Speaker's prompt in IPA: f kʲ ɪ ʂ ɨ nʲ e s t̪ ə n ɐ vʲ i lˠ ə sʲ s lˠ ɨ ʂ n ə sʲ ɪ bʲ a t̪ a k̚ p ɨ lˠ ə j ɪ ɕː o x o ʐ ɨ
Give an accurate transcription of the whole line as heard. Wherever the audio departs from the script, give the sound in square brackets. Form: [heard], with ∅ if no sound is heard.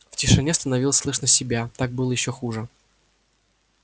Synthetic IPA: f [tʲ] ɪ ʂ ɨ nʲ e s t̪ ə n ɐ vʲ i lˠ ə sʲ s lˠ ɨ ʂ n ə sʲ ɪ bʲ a t̪ a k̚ [b] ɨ lˠ ə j ɪ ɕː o x [u] ʐ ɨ